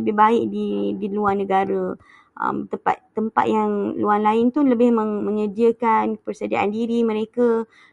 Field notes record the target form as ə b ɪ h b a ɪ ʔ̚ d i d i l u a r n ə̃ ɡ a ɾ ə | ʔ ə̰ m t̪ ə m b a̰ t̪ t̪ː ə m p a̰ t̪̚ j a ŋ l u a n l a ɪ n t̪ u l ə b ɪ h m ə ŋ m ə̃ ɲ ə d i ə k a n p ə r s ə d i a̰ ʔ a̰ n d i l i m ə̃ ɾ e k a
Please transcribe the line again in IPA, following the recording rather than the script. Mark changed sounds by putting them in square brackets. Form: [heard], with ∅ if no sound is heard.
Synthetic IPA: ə b ɪ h b a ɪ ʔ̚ d i d i l u a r n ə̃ ɡ a ɾ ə | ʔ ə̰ m t̪ ə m [p] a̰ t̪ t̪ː ə m p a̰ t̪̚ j a ŋ l u a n l a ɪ n t̪ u l ə b ɪ h m ə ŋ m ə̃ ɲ ə d i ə k a n p ə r s ə d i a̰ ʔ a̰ n d i [ɾ] i m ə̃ ɾ e k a